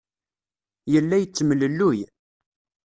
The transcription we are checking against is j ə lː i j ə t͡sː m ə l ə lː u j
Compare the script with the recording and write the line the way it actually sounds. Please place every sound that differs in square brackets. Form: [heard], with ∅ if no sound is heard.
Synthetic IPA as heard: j ə lː [æ] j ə t͡sː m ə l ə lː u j